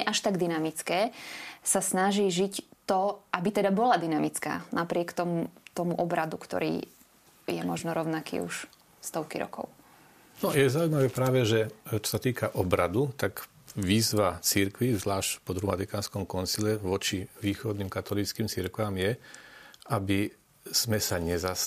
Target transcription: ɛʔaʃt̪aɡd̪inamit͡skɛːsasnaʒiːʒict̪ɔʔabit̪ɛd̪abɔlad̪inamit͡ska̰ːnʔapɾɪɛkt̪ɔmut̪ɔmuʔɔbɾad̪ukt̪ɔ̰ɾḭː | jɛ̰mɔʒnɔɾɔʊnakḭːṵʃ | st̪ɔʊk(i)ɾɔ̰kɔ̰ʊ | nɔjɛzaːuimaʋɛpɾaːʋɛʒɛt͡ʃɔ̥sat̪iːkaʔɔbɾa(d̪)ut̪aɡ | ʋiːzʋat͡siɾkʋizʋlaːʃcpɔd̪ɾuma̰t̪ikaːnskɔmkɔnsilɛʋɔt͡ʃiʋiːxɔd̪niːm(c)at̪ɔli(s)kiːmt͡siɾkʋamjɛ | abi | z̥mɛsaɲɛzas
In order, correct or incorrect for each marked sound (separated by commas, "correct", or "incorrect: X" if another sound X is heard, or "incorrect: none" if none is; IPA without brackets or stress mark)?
correct, correct, incorrect: k, incorrect: t͡s